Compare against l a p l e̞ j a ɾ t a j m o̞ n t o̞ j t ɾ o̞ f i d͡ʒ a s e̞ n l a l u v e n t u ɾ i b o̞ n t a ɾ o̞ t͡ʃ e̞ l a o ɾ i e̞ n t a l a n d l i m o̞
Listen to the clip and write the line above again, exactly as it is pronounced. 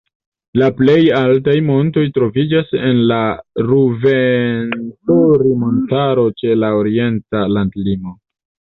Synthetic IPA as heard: l a p l e̞ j a l t a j m o̞ n t o̞ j t ɾ o̞ v i d͡ʒ a s e̞ n l a ɾ u v e n t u ɾ i m o̞ n t a ɾ o̞ t͡ʃ e̞ l a o ɾ i e̞ n t a l a n d l i m o̞

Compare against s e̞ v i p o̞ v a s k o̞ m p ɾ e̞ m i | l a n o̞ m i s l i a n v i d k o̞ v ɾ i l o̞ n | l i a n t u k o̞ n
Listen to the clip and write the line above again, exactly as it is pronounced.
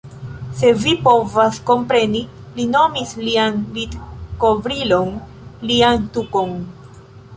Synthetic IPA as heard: s e̞ v i p o̞ v a s k o̞ m p ɾ e̞ n i | l i n o̞ m i s l i a n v i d k o̞ v ɾ i l o̞ n | l i a n t u k o̞ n

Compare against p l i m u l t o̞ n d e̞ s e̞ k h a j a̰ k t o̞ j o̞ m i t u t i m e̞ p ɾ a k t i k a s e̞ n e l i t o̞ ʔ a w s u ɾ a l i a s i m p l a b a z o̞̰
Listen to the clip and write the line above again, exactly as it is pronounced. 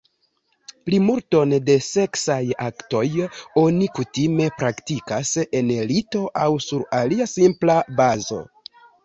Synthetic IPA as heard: p l i m u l t o̞ n d e̞ s e̞ k s a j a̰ k t o̞ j o̞ n i k u t i m e̞ p ɾ a k t i k a s e̞ n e l i t o̞ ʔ a w s u ɾ a l i a s i m p l a b a z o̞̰

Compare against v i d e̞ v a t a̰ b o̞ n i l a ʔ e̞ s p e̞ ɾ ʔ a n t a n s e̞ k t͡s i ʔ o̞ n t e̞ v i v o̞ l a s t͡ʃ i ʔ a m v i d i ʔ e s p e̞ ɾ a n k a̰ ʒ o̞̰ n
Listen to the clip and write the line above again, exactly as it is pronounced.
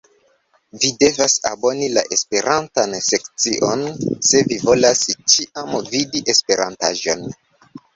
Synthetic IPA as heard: v i d e̞ v a s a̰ b o̞ n i l a ʔ e̞ s p e̞ ɾ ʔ a n t a n s e̞ k t͡s i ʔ o̞ n s e̞ v i v o̞ l a s t͡ʃ i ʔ a m v i d i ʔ e s p e̞ ɾ a n t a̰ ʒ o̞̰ n

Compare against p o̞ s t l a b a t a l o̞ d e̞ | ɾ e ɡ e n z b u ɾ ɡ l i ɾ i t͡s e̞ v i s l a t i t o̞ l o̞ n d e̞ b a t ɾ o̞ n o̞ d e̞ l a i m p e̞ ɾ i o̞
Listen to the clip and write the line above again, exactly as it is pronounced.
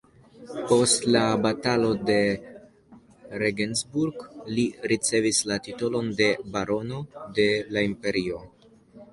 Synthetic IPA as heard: p o̞ s t l a b a t a l o̞ d e̞ | ɾ e ɡ e n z b u ɾ ɡ l i ɾ i t͡s e̞ v i s l a t i t o̞ l o̞ n d e̞ b a ɾ o̞ n o̞ d e̞ l a i m p e̞ ɾ i o̞

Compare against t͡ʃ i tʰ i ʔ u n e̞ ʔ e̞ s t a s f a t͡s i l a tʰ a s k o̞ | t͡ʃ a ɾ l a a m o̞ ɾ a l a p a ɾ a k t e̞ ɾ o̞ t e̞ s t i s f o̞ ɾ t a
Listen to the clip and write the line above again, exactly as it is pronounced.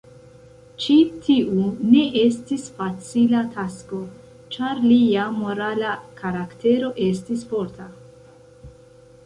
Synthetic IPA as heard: t͡ʃ i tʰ i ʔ u n e̞ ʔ e̞ s t i s f a t͡s i l a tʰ a s k o̞ | t͡ʃ a ɾ l i a m o̞ ɾ a l a k a ɾ a k t e̞ ɾ o̞ ʔ e̞ s t i s f o̞ ɾ t a

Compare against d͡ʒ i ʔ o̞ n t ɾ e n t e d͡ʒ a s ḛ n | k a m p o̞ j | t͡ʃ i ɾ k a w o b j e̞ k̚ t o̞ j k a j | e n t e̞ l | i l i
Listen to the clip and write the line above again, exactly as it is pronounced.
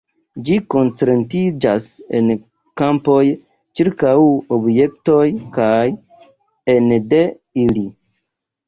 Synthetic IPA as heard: d͡ʒ i k o̞ n t͡s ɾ e n t i d͡ʒ a s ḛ n | k a m p o̞ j | t͡ʃ i ɾ k a w o b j e̞ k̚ t o̞ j k a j | e n d e̞ | i l i

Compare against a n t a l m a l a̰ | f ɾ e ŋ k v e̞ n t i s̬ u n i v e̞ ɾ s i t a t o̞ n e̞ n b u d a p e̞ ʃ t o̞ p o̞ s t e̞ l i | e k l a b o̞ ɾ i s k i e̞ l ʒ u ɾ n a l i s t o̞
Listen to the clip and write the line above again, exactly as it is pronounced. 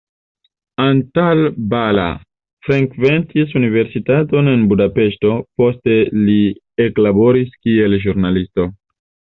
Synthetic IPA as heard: a n t a l b a l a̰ | f ɾ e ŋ k v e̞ n t i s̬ u n i v e̞ ɾ s i t a t o̞ n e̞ n b u d a p e̞ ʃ t o̞ p o̞ s t e̞ l i | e k l a b o̞ ɾ i s k i e̞ l ʒ u ɾ n a l i s t o̞

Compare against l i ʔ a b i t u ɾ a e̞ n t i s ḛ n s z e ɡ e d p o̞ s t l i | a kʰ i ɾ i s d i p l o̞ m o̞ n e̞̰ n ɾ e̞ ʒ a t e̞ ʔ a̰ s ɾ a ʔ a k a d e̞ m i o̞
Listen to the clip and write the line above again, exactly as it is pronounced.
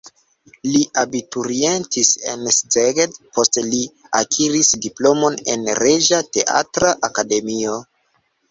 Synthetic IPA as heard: l i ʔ a b i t u ɾ i e̞ n t i s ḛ n s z e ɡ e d p o̞ s t l i | a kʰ i ɾ i s d i p l o̞ m o̞ n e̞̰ n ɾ e̞ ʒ a t e̞ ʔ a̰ t ɾ a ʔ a k a d e̞ m i o̞

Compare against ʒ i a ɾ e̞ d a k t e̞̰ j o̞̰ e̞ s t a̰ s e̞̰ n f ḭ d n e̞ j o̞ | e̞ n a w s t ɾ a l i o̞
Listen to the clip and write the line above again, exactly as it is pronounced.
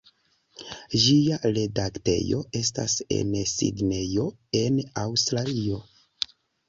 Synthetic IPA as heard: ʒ i a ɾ e̞ d a k t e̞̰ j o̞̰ e̞ s t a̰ s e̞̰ n s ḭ d n e̞ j o̞ | e̞ n a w s t ɾ a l i o̞

